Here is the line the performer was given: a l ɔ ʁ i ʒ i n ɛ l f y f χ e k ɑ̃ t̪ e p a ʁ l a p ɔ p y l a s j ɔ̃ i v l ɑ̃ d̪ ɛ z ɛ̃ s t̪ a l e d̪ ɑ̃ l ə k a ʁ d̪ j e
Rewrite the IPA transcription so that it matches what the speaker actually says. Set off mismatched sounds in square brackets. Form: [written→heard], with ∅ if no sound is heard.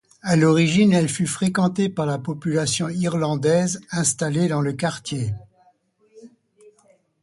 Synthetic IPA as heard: a l ɔ ʁ i ʒ i n ɛ l f y f χ e k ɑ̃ t̪ e p a ʁ l a p ɔ p y l a s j ɔ̃ i [v→ʁ] l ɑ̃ d̪ ɛ z ɛ̃ s t̪ a l e d̪ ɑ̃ l ə k a ʁ [d̪→t̪] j e

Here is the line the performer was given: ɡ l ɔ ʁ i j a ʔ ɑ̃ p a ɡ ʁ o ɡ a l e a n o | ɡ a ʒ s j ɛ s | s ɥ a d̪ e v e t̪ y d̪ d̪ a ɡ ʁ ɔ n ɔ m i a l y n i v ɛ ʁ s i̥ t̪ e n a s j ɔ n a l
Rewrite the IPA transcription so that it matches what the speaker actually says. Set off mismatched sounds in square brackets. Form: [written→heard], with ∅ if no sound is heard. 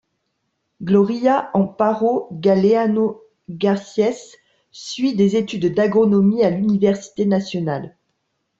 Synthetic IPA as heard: ɡ l ɔ ʁ i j a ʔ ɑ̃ p a [ɡ→∅] ʁ o ɡ a l e a n o | ɡ a [ʒ→ʁ] s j ɛ s | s ɥ [a→i] d̪ e [v→z] e t̪ y d̪ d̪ a ɡ ʁ ɔ n ɔ m i a l y n i v ɛ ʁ s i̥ t̪ e n a s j ɔ n a l

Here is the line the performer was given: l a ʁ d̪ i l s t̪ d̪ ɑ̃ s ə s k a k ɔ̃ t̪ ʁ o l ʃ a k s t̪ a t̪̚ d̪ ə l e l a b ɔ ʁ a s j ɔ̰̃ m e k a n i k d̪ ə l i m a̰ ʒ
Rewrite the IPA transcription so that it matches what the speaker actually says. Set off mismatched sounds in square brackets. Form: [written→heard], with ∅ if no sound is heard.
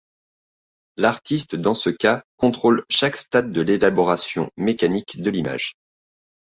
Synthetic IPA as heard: l a ʁ [d̪→t̪] i [l→∅] s t̪ d̪ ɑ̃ s ə [s→∅] k a k ɔ̃ t̪ [ʁ→χ] o l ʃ a k s t̪ a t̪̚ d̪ ə l e l a b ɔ ʁ a s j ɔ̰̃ m e k a n i k d̪ ə l i m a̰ ʒ

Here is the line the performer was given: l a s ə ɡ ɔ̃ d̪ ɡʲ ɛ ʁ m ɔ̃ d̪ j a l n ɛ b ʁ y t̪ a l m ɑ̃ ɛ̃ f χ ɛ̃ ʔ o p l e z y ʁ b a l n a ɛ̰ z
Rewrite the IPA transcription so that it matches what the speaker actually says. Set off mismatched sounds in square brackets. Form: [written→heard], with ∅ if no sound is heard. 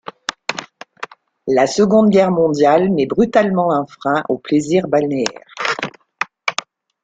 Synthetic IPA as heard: l a s ə ɡ ɔ̃ d̪ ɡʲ ɛ ʁ m ɔ̃ d̪ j a l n ɛ b ʁ y t̪ a l m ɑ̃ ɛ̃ f χ ɛ̃ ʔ o p l e z [y→i] ʁ b a l n [a→e] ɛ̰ [z→ʁ]

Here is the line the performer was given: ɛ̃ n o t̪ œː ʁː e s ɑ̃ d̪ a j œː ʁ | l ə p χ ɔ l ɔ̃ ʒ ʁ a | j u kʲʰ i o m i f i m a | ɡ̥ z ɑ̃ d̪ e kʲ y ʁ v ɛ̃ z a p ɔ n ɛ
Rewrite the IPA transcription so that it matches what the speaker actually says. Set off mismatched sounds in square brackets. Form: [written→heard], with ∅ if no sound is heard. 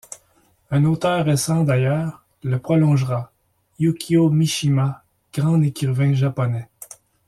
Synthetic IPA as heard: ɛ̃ n o t̪ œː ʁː e s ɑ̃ d̪ a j œː ʁ | l ə p χ ɔ l ɔ̃ ʒ ʁ a | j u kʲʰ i o m i [f→ʃ] i m a | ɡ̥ [z→ʁ] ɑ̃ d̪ e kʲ y ʁ v ɛ̃ [z→ʒ] a p ɔ n ɛ

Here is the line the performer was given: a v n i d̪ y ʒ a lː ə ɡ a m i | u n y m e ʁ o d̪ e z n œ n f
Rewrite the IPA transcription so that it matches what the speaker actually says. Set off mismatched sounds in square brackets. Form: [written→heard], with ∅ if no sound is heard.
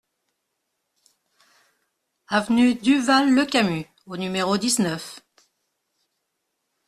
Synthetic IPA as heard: a v n [i→y] d̪ y [ʒ→v] a lː ə [ɡ→k] a m [i→y] | [u→o] n y m e ʁ o d̪ [e→i] z n œ [n→∅] f

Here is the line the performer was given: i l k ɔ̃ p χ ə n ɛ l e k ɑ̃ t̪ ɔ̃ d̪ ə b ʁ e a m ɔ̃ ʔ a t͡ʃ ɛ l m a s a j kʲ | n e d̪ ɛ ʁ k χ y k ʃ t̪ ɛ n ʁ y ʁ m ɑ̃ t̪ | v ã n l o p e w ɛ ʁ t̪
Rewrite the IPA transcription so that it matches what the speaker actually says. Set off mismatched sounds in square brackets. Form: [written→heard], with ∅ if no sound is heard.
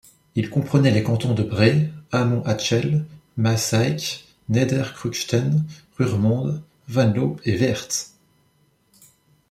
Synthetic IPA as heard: i l k ɔ̃ p χ ə n ɛ l e k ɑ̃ t̪ ɔ̃ d̪ ə b ʁ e a m ɔ̃ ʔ a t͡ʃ ɛ l m a s a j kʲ | n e d̪ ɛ ʁ k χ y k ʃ t̪ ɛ n ʁ y ʁ m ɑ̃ [t̪→d̪] | v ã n l o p e [w→v] ɛ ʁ t̪

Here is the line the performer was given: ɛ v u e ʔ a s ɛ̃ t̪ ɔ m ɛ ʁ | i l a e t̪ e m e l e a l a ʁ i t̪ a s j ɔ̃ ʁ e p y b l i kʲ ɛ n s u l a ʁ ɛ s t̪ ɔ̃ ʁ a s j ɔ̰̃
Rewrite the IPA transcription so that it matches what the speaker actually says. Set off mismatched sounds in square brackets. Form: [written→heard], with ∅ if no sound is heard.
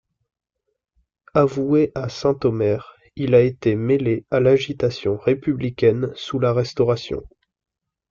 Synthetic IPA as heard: [ɛ→a] v u e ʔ a s ɛ̃ t̪ ɔ m ɛ ʁ | i l a e t̪ e m e l e a l a [ʁ→ʒ] i t̪ a s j ɔ̃ ʁ e p y b l i kʲ ɛ n s u l a ʁ ɛ s t̪ [ɔ̃→ɔ] ʁ a s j ɔ̰̃

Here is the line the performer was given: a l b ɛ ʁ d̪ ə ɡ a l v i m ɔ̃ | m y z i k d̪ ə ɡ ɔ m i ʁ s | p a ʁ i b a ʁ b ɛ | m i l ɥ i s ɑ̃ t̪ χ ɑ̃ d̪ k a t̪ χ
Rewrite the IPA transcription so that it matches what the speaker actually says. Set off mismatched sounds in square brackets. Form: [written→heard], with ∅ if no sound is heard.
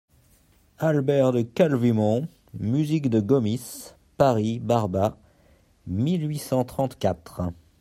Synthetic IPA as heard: a l b ɛ ʁ d̪ ə [ɡ→k] a l v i m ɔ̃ | m y z i k d̪ ə ɡ ɔ m i [ʁ→∅] s | p a ʁ i b a ʁ b [ɛ→a] | m i l ɥ i s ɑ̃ t̪ χ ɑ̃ [d̪→t̪] k a t̪ χ

